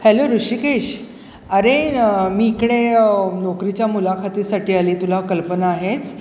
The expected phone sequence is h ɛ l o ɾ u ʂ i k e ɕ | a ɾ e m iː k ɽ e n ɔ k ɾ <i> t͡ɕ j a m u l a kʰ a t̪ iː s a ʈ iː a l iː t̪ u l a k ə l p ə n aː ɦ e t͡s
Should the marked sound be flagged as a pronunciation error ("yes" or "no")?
no